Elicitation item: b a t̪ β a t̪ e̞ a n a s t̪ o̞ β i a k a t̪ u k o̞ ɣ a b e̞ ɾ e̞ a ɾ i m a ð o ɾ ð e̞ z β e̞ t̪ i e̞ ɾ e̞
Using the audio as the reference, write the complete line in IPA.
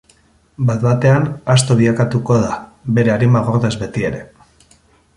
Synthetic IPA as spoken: b a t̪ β a t̪ e̞ a n a s t̪ o̞ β i a k a t̪ u k o̞ ð a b e̞ ɾ e̞ a ɾ i m a ɣ o ɾ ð e̞ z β e̞ t̪ i e̞ ɾ e̞